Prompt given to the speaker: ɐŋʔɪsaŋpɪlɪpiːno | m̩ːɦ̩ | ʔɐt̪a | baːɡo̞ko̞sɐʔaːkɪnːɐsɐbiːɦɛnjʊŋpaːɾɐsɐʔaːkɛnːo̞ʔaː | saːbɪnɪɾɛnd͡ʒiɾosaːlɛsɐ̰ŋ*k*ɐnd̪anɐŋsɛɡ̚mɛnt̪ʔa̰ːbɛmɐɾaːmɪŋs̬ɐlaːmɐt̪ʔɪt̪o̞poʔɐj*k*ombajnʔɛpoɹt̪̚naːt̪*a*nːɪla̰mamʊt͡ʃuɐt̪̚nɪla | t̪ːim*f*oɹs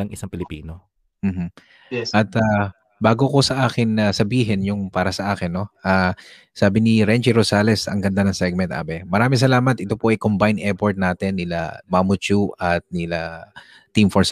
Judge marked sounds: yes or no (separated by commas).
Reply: no, yes, no, yes